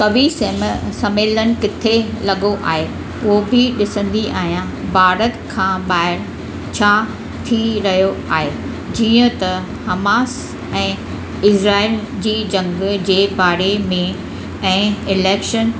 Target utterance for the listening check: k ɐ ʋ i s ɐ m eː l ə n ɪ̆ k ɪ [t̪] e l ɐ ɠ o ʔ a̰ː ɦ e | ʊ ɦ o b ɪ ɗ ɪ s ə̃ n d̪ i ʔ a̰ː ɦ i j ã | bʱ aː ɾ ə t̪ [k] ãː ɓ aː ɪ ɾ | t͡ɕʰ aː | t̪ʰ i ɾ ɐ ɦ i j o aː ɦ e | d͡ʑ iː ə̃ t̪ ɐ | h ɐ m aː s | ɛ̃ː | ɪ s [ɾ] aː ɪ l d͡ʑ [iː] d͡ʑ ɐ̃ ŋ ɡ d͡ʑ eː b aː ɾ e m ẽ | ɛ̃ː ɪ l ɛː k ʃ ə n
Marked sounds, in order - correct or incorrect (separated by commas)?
incorrect, incorrect, correct, correct